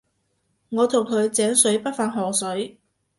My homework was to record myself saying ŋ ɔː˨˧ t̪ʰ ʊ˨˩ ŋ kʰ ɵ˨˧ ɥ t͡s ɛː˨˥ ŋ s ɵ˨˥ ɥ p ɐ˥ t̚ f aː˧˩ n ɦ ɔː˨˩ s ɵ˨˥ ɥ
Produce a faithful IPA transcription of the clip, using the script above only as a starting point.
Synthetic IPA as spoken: ŋ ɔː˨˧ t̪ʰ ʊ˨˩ ŋ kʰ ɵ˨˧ ɥ t͡s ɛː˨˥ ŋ s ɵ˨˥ ɥ p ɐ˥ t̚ f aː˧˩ n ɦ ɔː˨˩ s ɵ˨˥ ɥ